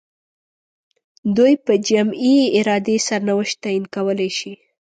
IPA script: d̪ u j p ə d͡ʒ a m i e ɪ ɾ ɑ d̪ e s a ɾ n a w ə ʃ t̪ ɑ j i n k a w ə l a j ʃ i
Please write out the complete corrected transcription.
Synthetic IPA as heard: d̪ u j p ə d͡ʒ a m i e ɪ ɾ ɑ d̪ e s a ɾ n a w ə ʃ t̪ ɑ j i n k a w ə l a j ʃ i